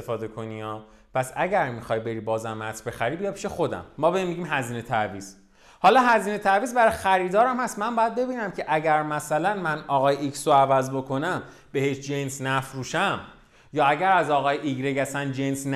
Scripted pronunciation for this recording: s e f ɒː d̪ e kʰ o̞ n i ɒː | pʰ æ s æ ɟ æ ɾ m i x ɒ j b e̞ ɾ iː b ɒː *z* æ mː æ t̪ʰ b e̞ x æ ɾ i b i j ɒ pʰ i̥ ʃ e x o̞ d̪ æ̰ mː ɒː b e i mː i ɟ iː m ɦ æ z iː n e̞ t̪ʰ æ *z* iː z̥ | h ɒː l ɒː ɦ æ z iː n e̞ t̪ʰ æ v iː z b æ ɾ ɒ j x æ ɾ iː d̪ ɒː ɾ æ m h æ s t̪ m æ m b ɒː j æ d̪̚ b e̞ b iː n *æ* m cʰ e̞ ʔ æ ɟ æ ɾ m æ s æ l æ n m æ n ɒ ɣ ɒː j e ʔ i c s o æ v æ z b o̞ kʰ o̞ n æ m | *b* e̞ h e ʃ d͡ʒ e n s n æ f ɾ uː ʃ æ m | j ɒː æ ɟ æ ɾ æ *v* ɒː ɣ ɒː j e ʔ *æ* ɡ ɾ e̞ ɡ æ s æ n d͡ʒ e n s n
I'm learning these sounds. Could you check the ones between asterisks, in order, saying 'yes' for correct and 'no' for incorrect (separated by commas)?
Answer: yes, no, yes, yes, no, no